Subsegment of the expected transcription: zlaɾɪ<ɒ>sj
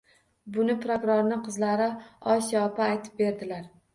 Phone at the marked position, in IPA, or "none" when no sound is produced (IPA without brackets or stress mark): ɒ